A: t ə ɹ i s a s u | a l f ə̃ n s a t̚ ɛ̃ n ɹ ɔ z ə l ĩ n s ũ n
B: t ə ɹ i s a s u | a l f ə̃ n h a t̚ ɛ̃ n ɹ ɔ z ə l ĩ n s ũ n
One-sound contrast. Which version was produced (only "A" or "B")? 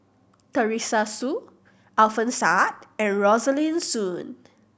A